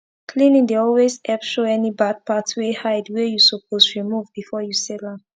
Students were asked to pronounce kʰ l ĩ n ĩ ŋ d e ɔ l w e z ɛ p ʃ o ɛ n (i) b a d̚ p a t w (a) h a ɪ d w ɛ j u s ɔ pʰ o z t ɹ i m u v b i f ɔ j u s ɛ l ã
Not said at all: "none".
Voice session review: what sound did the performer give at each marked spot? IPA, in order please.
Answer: i, e

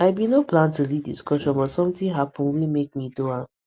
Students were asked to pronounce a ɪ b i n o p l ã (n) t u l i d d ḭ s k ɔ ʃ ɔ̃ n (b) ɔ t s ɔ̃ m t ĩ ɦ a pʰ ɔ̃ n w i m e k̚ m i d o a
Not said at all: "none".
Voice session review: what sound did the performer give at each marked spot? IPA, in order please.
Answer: n, b

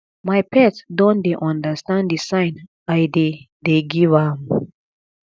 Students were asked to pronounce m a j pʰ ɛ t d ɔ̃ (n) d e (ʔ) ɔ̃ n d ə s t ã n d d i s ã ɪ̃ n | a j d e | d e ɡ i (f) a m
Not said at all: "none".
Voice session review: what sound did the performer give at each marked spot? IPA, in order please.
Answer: n, ʔ, v

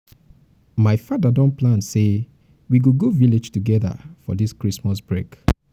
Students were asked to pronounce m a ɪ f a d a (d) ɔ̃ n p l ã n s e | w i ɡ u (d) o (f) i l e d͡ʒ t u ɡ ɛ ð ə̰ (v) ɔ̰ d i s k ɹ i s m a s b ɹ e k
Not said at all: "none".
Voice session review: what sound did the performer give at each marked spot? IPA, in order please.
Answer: d, ɡ, v, f

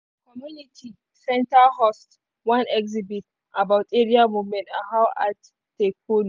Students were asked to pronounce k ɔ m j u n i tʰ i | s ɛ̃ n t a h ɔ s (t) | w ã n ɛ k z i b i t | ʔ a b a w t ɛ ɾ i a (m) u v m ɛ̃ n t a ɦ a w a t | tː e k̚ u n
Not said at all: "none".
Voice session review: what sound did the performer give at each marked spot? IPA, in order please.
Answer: t, m

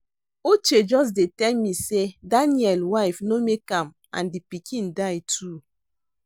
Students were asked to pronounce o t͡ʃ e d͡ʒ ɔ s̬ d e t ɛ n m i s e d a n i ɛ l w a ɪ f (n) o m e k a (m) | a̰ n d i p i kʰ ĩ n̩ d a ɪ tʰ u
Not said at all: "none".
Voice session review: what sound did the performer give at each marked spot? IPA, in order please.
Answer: n, m

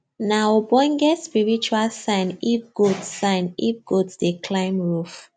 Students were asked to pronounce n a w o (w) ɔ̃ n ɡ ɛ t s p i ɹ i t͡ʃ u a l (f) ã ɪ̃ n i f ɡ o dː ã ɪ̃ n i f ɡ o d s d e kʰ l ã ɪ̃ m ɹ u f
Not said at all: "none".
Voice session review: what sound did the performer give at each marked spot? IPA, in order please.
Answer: b, s

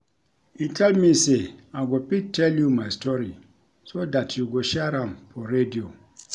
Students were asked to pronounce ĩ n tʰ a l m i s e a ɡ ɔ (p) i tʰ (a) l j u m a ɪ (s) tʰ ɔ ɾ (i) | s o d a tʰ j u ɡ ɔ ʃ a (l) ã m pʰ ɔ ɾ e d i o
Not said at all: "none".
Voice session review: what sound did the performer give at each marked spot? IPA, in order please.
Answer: p, ɛ, s, i, ɾ

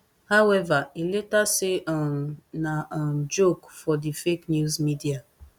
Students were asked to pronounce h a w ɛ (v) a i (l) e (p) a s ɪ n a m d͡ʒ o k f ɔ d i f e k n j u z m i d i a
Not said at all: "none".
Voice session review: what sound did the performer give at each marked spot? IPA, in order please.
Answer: v, l, t

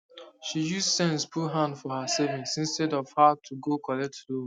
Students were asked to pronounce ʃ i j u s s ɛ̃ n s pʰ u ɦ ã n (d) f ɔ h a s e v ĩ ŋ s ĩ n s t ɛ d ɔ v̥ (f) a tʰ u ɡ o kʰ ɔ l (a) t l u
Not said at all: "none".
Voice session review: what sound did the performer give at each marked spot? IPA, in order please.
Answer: d, h, ɛ

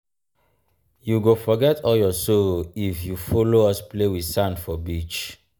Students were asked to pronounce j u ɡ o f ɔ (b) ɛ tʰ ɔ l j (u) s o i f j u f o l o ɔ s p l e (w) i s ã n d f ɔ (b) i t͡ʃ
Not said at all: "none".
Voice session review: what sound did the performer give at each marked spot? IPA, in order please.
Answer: ɡ, ɔ, w, b

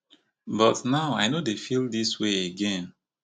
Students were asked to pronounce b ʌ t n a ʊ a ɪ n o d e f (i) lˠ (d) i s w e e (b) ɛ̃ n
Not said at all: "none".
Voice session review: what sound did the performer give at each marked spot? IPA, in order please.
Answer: i, d, ɡ

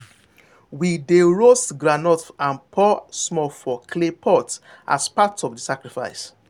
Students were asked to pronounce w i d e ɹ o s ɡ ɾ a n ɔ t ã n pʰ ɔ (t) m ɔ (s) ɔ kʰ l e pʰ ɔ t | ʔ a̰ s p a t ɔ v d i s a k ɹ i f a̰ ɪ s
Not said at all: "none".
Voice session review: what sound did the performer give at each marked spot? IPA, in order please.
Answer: s, f

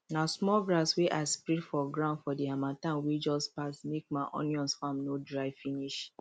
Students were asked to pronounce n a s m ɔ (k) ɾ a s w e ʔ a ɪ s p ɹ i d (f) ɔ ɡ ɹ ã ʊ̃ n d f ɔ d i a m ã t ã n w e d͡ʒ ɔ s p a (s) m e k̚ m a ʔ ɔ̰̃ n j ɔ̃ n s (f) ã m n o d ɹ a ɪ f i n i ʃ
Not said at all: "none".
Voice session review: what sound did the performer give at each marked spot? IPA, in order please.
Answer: ɡ, f, s, f

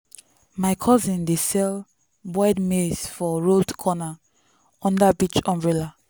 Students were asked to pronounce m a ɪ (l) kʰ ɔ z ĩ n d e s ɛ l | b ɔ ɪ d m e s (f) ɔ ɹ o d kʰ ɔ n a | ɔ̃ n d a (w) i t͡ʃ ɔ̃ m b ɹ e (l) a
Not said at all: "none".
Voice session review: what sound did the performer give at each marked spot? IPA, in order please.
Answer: none, f, b, l

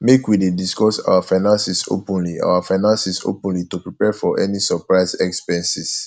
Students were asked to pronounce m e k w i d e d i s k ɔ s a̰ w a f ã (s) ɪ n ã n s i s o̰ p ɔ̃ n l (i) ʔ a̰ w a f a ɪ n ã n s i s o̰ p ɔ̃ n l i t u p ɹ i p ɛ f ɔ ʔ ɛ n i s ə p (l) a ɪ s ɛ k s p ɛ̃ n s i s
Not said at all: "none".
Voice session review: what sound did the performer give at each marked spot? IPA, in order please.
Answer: none, i, ɹ

